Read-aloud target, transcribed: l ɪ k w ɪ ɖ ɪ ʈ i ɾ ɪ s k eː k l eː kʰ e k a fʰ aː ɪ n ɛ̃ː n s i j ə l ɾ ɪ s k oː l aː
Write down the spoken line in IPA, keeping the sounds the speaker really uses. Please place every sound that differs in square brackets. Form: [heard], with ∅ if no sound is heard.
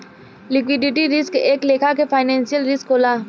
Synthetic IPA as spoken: l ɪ k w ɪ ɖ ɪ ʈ i ɾ ɪ s k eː k l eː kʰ [a] k [e] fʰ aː ɪ n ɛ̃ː n s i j ə l ɾ ɪ s k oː l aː